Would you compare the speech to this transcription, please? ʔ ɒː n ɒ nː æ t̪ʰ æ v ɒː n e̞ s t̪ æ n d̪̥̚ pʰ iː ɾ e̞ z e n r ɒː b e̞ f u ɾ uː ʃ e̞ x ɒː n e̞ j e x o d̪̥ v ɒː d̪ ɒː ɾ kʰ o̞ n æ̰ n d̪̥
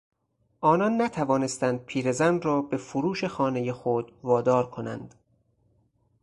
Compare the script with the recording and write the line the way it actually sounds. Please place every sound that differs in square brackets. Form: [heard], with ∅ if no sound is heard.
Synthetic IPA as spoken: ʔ ɒː n ɒ nː æ t̪ʰ æ v ɒː n e̞ s t̪ æ n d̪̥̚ pʰ iː ɾ e̞ z [æ] n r ɒː b e̞ f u ɾ uː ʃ e̞ x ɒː n e̞ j e x o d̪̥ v ɒː d̪ ɒː ɾ kʰ o̞ n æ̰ n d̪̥

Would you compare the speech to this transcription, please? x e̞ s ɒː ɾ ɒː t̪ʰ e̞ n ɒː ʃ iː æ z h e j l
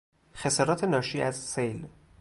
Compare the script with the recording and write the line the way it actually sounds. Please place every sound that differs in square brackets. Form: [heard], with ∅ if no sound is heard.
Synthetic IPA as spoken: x e̞ s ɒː ɾ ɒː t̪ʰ e̞ n ɒː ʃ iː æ z [s] e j l

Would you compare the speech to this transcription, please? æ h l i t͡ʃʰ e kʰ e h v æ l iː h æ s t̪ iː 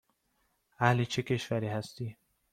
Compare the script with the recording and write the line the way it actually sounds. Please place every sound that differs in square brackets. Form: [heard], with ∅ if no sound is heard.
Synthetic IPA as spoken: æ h l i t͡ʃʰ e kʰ e [ʃ] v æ [ɾ] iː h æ s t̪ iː

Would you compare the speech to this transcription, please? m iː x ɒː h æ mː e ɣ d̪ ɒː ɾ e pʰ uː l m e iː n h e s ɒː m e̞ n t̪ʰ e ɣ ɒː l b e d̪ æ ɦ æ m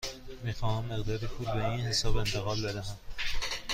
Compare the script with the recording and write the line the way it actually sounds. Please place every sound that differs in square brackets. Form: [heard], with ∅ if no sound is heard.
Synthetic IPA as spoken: m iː x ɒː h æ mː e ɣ d̪ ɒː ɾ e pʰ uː l [b] e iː n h e s ɒː [b] e̞ n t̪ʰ e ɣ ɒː l b e d̪ æ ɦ æ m

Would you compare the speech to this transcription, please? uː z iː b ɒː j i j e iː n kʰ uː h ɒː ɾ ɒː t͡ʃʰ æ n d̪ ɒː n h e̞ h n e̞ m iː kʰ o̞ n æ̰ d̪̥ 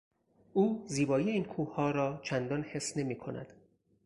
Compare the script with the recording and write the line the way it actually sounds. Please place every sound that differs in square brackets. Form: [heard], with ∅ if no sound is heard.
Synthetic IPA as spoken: uː z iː b ɒː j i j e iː n kʰ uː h ɒː ɾ ɒː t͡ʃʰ æ n d̪ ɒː n h e̞ [s] n e̞ m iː kʰ o̞ n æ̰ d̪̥

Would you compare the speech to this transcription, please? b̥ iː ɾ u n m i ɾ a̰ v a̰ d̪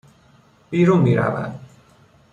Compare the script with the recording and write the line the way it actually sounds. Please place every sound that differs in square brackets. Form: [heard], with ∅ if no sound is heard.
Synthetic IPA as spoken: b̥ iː ɾ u n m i ɾ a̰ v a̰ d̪

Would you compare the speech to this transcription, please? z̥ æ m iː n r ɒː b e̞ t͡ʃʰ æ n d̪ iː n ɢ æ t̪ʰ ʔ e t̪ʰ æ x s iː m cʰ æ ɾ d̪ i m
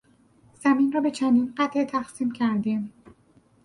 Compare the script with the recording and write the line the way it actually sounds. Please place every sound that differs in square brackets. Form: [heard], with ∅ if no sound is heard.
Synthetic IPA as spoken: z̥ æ m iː n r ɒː b e̞ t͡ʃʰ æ n d̪ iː n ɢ æ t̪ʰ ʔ e t̪ʰ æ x s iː m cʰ æ ɾ d̪ i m

